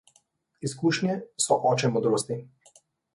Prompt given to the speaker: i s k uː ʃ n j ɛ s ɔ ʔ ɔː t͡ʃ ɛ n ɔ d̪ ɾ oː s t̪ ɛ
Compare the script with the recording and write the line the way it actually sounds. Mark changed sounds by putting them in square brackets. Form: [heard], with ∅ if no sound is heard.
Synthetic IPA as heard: i s k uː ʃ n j ɛ s ɔ ʔ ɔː t͡ʃ ɛ [m] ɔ d̪ ɾ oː s t̪ [i]